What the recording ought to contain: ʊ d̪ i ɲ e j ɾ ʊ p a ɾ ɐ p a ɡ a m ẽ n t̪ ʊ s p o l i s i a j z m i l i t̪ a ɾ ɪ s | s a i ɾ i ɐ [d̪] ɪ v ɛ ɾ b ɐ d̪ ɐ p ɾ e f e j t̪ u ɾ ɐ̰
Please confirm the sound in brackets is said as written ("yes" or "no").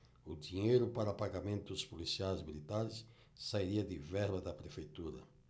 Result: yes